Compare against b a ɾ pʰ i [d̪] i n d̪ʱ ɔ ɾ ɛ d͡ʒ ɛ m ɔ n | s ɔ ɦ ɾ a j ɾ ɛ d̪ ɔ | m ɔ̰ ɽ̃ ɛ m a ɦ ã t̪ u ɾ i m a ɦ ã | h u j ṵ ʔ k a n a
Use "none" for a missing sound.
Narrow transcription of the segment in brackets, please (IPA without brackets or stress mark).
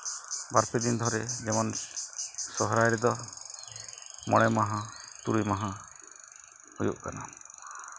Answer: d̪